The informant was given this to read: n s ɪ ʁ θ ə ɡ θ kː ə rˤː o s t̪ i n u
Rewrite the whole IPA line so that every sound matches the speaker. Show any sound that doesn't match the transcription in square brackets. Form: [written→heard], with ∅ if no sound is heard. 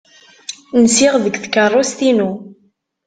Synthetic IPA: n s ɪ ʁ [θ→ð] ə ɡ θ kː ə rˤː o s t̪ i n u